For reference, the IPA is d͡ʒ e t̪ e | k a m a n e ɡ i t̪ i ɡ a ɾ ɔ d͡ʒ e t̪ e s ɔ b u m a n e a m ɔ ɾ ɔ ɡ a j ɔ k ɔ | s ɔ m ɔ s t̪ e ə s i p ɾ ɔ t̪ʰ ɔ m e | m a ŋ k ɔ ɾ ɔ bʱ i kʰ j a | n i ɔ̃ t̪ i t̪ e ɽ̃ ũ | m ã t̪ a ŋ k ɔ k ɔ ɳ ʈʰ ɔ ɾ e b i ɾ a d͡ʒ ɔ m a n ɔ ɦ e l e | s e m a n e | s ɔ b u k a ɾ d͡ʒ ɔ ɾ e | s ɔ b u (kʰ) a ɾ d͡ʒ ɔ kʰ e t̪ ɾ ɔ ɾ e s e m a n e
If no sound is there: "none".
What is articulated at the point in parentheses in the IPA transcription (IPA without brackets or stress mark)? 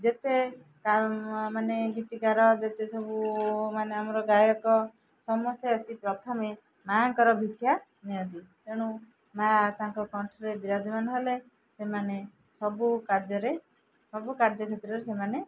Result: k